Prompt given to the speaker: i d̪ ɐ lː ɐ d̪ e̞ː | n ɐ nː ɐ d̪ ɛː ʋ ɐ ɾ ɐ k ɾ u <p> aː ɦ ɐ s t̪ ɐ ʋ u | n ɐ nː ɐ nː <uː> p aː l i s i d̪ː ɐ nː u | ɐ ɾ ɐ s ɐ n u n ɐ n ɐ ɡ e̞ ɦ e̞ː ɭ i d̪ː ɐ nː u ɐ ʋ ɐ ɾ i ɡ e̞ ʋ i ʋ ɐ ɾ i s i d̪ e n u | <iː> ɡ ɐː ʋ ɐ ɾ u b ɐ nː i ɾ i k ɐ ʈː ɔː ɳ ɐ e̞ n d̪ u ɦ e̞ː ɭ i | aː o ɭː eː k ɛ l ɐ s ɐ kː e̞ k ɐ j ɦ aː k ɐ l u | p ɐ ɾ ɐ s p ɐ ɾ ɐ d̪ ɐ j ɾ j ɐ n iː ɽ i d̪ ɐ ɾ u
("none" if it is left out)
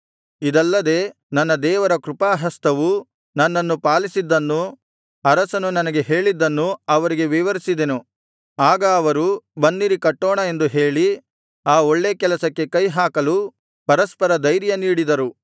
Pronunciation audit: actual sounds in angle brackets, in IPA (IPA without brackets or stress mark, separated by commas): p, u, aː